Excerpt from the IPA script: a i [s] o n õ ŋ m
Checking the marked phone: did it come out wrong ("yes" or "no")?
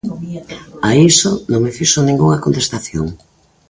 no